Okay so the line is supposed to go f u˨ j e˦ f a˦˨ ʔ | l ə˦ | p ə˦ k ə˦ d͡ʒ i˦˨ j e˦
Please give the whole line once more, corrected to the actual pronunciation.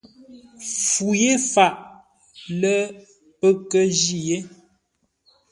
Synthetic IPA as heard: f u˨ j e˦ f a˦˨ ʔ | l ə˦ | p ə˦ k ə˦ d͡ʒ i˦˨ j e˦